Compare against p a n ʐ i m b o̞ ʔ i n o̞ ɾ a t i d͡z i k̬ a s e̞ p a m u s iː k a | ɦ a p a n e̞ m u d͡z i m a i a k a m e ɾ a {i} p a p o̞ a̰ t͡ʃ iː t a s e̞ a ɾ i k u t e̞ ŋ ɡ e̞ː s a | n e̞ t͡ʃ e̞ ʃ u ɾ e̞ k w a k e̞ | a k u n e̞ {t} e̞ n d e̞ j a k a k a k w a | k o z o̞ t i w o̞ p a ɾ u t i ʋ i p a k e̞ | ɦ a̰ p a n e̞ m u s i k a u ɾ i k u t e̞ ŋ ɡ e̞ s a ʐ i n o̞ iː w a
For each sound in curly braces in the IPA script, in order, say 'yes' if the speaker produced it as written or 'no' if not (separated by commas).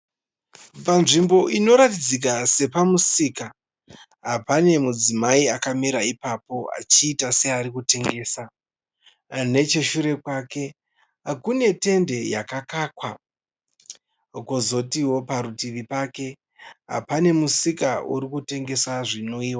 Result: yes, yes